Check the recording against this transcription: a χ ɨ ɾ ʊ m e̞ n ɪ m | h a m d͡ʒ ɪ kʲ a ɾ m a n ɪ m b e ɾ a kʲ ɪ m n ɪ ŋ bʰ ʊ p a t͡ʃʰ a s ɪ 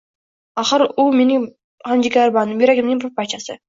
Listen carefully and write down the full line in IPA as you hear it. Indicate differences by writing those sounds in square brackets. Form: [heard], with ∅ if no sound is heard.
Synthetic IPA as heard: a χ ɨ ɾ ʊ m e̞ n ɪ [ŋ] | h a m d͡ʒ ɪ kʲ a ɾ [b] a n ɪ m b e ɾ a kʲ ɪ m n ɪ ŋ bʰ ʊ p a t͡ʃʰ a s ɪ